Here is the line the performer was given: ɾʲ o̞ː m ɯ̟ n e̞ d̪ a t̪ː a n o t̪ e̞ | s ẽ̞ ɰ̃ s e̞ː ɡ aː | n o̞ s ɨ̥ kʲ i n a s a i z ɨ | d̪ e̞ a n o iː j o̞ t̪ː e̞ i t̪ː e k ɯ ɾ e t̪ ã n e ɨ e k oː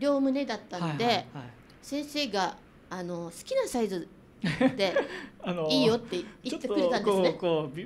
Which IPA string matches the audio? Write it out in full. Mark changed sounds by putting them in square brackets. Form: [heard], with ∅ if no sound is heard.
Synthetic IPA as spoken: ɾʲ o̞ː m ɯ̟ n e̞ d̪ a t̪ː a n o [d̪] e̞ | s ẽ̞ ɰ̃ s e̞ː ɡ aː | n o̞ s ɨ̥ kʲ i n a s a i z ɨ | d̪ e̞ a n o iː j o̞ t̪ː e̞ i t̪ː e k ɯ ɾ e t̪ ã n e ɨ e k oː